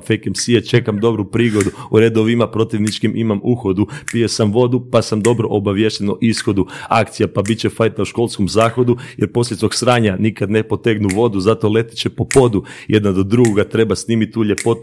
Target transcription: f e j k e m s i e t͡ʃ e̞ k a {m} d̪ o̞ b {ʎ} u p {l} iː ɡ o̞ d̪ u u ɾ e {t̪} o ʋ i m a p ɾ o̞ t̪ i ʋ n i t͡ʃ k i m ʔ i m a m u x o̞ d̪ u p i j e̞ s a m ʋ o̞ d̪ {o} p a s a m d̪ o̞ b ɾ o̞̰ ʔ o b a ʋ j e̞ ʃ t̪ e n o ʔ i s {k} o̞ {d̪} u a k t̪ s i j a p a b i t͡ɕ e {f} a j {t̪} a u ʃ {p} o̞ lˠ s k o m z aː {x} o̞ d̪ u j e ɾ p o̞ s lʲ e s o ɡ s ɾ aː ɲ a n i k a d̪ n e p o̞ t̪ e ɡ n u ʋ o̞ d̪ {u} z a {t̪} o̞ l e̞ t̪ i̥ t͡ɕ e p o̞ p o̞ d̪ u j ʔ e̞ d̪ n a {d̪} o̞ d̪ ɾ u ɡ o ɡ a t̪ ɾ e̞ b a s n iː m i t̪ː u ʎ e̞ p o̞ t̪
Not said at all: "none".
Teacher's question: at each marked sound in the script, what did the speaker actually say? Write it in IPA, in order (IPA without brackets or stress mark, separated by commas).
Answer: m, ɾ, ɾ, d̪, u, x, d̪, f, t̪, k, x, u, t̪, d̪